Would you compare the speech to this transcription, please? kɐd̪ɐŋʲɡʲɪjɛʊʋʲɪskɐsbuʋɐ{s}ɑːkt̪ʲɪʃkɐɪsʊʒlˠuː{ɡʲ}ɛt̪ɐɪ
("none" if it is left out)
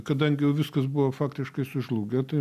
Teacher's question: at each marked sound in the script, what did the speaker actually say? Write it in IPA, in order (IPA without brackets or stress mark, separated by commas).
f, ɡʲ